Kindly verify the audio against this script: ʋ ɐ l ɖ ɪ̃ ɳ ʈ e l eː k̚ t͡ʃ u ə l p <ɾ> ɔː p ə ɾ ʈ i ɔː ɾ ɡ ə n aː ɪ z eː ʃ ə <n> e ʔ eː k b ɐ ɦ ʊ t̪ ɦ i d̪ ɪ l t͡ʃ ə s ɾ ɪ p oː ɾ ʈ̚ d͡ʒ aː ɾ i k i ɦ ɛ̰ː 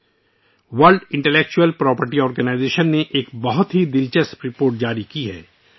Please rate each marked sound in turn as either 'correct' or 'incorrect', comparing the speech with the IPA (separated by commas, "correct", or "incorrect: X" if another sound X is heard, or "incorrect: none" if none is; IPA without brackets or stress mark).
correct, incorrect: nː